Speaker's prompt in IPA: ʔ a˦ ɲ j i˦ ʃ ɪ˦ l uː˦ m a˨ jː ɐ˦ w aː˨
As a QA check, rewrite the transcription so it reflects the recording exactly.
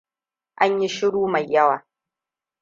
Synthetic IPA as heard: ʔ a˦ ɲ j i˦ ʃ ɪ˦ ɽ uː˦ m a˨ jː ɐ˦ w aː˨